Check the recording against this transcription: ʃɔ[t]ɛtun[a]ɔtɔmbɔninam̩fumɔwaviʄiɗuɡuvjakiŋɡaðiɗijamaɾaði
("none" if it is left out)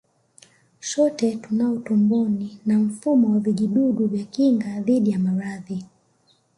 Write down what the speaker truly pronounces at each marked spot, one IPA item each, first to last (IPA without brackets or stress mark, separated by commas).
t, a